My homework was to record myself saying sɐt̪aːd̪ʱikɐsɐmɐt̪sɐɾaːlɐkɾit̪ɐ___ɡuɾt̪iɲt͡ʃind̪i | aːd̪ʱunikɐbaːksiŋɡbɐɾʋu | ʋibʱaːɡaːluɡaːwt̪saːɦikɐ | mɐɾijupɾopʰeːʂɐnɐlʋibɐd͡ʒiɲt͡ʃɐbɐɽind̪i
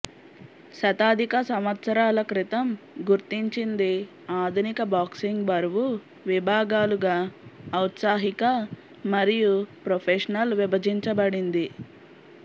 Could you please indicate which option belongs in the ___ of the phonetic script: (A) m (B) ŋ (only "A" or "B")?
A